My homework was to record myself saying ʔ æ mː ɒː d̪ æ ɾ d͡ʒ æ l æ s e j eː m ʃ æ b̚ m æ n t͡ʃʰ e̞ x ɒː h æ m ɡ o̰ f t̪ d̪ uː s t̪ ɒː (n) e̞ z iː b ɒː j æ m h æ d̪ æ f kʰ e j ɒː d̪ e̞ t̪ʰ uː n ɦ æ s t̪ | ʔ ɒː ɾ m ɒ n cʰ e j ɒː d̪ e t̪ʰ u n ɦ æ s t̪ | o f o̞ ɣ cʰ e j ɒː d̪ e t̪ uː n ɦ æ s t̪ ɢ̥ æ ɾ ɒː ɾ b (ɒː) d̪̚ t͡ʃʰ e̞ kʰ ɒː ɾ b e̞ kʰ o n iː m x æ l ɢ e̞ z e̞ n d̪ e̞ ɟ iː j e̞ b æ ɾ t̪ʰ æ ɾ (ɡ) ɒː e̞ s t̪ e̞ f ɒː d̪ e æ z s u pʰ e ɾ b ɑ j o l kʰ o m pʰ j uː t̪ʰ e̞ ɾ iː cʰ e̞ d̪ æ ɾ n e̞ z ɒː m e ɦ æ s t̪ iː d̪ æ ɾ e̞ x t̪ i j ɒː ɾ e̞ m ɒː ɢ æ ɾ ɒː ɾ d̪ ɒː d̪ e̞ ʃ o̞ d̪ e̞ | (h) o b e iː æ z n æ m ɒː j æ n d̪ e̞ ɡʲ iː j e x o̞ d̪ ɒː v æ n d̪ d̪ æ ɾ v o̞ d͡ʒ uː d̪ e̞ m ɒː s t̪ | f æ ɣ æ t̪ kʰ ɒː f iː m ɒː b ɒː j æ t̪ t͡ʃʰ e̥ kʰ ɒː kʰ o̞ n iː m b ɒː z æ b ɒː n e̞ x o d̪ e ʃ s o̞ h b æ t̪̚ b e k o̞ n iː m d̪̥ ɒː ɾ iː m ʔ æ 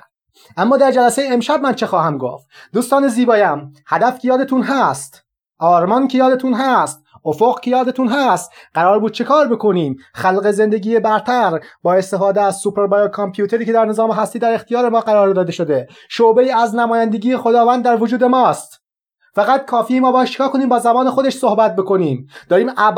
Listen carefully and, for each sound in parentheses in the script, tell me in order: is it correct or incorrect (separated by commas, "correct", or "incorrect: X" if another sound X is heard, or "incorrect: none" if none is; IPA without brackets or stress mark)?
correct, incorrect: uː, incorrect: b, incorrect: ʃ